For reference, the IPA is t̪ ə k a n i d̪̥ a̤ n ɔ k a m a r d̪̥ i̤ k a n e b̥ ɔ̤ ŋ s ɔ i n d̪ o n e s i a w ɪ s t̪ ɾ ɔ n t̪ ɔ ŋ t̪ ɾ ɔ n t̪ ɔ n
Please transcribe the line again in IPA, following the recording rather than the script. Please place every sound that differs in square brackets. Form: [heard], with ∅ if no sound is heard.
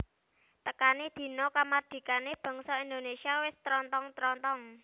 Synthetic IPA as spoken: t̪ ə k a n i d̪̥ [i̤] n ɔ k a m a r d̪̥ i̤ k a n e b̥ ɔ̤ ŋ s ɔ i n d̪ o n e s i a w ɪ s t̪ ɾ ɔ n t̪ ɔ ŋ t̪ ɾ ɔ n t̪ ɔ [ŋ]